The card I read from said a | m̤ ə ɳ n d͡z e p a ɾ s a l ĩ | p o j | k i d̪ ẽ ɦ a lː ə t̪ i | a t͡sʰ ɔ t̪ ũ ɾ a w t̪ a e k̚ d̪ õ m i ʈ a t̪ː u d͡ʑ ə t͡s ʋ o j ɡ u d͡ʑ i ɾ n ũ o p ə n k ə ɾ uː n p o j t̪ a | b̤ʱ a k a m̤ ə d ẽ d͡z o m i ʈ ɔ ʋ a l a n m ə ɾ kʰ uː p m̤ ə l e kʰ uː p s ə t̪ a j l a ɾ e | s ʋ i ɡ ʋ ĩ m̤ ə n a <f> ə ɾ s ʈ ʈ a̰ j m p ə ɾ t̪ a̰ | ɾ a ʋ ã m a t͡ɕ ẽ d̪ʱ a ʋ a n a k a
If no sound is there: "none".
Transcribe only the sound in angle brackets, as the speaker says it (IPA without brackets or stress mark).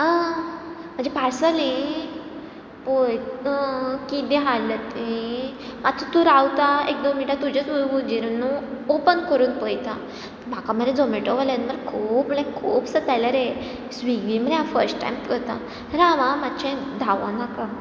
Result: f